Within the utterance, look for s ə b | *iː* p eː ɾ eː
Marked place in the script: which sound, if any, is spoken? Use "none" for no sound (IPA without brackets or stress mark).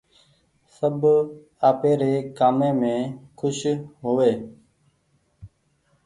aː